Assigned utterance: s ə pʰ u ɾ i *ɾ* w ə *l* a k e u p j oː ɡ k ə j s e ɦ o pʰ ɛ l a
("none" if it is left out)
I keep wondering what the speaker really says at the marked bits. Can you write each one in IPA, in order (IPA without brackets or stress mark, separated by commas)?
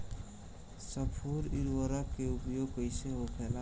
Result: ɾ, ɾ